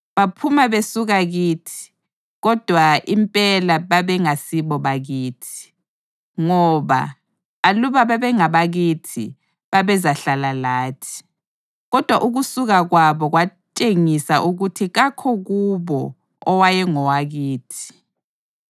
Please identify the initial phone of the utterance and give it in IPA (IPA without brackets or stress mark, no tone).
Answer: β